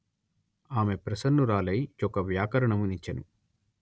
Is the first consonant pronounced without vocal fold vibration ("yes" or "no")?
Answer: no